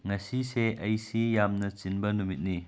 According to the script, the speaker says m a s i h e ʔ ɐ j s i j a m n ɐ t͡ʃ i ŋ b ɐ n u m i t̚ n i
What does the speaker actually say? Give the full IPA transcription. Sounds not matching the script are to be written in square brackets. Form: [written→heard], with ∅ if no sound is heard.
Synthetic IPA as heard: [m→ŋ] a s i [h→s] e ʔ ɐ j s i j a m n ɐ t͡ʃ i [ŋ→n] b ɐ n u m i t̚ n i